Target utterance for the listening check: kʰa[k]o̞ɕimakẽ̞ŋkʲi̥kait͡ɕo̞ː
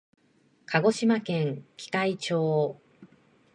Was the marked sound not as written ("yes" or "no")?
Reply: yes